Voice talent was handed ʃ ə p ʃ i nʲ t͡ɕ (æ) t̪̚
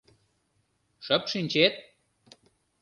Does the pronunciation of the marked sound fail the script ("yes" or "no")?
yes